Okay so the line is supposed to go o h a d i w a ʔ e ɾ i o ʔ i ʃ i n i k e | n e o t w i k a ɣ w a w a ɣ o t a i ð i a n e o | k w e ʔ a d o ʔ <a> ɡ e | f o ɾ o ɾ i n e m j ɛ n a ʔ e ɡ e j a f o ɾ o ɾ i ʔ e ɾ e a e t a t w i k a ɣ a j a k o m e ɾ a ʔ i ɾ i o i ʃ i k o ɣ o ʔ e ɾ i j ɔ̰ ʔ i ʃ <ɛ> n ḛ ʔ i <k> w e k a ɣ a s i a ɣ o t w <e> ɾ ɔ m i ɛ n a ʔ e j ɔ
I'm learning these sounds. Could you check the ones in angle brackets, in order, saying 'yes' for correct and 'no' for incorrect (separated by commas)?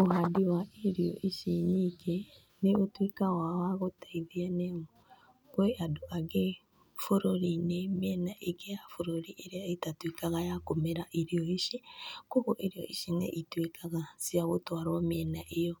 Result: yes, no, no, no